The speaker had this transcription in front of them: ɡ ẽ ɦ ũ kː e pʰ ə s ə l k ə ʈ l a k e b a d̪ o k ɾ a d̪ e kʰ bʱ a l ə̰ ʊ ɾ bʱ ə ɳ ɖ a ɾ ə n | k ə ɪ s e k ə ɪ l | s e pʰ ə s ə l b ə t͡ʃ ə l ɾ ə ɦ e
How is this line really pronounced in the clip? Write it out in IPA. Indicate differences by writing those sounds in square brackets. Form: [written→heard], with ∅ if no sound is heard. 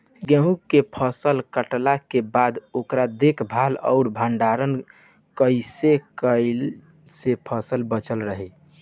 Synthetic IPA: ɡ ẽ ɦ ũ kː e pʰ ə s ə l k ə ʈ l a k e b a d̪ o k ɾ a d̪ e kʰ bʱ a l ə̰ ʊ ɾ bʱ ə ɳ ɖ a ɾ ə n | k ə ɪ s e k ə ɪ l | s e pʰ ə s ə l b ə t͡ʃ ə l ɾ ə ɦ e